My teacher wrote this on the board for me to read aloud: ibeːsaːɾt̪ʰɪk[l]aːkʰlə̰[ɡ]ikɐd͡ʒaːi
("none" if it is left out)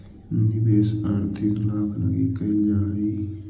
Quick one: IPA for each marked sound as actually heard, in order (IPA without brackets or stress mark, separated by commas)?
l, ɡ